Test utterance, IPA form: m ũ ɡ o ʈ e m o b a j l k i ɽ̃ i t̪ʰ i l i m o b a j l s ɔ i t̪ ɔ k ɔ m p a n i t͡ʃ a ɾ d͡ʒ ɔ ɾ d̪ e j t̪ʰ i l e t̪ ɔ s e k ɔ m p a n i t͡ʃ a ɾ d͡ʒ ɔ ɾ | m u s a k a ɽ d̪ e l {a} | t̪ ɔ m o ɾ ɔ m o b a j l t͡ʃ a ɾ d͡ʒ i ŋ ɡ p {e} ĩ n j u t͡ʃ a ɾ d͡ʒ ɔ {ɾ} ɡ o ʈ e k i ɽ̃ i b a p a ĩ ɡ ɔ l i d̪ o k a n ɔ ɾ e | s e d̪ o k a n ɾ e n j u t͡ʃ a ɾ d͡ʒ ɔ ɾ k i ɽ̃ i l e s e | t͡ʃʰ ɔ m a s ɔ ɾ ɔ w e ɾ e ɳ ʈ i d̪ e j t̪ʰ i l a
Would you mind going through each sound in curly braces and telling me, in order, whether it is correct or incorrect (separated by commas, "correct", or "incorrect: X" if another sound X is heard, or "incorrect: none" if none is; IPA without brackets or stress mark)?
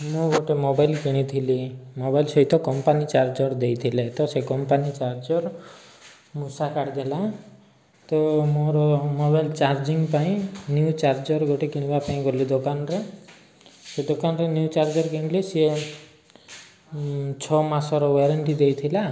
correct, incorrect: a, correct